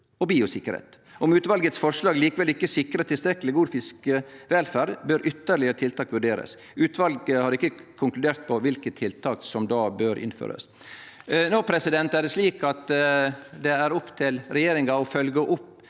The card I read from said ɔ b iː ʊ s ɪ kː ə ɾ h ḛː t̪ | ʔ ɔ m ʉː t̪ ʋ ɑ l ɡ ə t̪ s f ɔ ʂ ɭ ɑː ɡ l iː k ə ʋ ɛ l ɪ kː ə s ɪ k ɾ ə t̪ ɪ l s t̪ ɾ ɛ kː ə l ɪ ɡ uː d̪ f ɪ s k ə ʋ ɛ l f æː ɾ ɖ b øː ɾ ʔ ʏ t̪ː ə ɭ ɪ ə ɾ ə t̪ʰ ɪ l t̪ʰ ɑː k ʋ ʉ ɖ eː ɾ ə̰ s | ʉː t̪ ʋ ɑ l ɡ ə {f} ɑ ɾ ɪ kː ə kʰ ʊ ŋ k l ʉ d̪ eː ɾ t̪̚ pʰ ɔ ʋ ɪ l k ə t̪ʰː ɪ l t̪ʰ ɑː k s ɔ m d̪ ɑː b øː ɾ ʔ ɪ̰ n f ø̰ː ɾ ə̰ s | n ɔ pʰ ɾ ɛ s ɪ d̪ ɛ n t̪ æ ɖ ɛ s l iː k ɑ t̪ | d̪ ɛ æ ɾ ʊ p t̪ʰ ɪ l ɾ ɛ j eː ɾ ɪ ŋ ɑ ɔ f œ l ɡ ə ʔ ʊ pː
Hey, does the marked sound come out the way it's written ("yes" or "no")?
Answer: no